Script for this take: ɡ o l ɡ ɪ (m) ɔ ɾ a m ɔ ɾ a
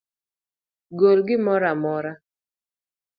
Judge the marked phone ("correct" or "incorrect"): correct